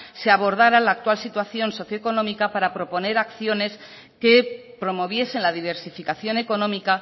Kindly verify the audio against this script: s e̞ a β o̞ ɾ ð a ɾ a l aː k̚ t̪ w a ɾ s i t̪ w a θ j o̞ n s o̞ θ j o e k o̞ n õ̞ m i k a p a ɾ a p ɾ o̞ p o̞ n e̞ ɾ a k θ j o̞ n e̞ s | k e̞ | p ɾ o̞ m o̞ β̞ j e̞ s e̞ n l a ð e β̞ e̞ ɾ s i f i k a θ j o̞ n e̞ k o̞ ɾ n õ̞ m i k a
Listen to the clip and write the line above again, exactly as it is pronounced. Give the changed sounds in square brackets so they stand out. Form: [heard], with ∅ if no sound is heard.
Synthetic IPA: s e̞ a β o̞ ɾ ð a ɾ a l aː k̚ t̪ w a [l] s i t̪ w a θ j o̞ n s o̞ θ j o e k o̞ n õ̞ m i k a p a ɾ a p ɾ o̞ p o̞ n e̞ ɾ a k θ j o̞ n e̞ s | k e̞ | p ɾ o̞ m o̞ β̞ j e̞ s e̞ n l a ð [i] β̞ e̞ ɾ s i f i k a θ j o̞ n e̞ k o̞ [∅] n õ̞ m i k a